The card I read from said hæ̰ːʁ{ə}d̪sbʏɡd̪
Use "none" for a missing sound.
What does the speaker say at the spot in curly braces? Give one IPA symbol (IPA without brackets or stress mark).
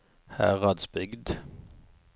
ɑ